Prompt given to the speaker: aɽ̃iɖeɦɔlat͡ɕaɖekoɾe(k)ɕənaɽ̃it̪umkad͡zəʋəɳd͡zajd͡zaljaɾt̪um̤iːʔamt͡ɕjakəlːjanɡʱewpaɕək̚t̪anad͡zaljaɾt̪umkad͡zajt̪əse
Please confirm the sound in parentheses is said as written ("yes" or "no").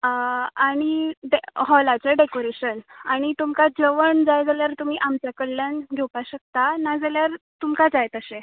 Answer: no